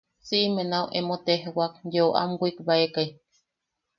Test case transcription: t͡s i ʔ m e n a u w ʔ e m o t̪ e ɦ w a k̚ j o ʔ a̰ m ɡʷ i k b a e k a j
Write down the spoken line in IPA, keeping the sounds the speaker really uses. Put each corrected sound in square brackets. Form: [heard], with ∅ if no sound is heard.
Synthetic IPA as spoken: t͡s i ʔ m e n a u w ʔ e m o t̪ e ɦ w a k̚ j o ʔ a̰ m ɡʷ i k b a e k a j